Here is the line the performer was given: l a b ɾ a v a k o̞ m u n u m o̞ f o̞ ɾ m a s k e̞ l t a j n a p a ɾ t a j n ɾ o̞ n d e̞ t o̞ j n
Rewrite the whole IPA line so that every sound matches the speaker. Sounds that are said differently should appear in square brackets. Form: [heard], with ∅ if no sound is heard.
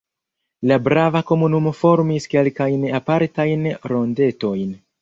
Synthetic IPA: l a b ɾ a v a k o̞ m u n u m o̞ f o̞ ɾ m [i] s k e̞ l [k] a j n a p a ɾ t a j n ɾ o̞ n d e̞ t o̞ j n